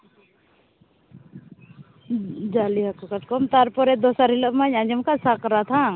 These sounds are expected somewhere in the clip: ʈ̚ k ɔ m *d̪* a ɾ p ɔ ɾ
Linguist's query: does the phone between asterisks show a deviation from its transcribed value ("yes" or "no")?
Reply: yes